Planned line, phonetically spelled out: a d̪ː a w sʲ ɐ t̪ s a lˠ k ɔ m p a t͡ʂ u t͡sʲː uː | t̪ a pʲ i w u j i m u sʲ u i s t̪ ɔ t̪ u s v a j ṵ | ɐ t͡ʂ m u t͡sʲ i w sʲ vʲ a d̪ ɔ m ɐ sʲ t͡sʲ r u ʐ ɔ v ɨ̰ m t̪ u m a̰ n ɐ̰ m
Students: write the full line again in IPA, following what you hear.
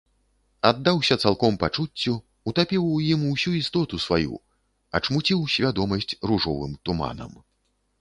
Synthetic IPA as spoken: a d̪ː a w sʲ ɐ t̪ s a lˠ k ɔ m p a t͡ʂ u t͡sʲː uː | t̪ a pʲ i w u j i m u sʲ u i s t̪ ɔ t̪ u s v a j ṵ | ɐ t͡ʂ m u t͡sʲ i w sʲ vʲ a d̪ ɔ m ɐ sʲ t͡sʲ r u ʐ ɔ v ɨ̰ m t̪ u m a̰ n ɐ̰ m